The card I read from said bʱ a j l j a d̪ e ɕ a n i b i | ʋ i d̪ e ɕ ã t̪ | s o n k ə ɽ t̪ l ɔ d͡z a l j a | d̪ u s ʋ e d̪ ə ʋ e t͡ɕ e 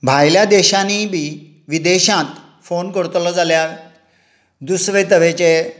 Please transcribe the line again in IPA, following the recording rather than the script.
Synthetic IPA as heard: bʱ a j l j a d̪ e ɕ a n i b i | ʋ i d̪ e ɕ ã t̪ | f o n k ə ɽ t̪ l ɔ d͡z a l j a | d̪ u s ʋ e t̪ ə ʋ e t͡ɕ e